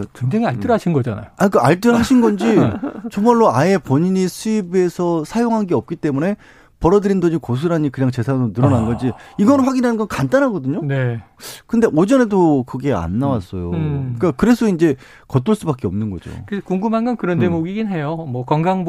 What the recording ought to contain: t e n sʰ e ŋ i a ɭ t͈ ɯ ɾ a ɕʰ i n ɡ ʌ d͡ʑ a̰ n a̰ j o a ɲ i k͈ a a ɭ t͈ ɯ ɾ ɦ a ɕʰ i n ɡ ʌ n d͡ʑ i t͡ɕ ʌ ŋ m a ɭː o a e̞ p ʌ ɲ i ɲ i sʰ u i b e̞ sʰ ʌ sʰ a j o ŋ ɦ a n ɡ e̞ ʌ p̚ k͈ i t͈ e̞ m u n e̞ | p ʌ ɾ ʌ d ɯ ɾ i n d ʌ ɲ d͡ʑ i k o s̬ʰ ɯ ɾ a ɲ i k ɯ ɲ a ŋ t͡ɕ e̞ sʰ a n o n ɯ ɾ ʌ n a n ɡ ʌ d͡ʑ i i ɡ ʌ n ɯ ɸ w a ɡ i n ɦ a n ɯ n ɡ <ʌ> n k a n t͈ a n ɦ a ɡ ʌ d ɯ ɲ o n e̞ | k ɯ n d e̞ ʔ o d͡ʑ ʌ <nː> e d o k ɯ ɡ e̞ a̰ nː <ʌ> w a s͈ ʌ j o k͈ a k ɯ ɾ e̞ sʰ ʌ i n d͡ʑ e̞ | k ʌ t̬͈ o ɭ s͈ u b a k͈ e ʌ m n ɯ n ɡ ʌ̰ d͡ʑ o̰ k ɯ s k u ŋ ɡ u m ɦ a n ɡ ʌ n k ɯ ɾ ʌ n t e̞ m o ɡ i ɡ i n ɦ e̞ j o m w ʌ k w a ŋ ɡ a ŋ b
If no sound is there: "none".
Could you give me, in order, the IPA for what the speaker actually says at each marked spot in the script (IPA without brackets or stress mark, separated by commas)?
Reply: ʌ, n, a